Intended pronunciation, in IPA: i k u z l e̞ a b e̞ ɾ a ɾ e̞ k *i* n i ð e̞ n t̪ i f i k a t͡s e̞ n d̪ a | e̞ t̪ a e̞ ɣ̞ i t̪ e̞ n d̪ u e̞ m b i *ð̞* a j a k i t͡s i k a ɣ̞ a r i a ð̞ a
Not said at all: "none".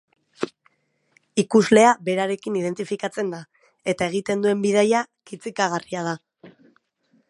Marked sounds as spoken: i, ð̞

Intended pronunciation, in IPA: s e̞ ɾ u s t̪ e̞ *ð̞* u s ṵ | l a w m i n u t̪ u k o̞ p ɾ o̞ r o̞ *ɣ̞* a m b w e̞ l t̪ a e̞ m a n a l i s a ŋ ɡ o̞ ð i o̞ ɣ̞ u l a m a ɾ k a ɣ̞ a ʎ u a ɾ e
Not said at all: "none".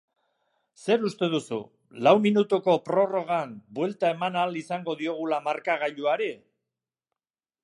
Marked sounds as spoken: ð̞, ɣ̞

